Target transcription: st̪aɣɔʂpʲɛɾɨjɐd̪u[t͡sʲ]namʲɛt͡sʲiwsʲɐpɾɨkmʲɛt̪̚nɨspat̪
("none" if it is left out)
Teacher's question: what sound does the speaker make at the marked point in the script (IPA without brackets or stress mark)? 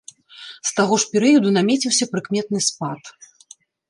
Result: none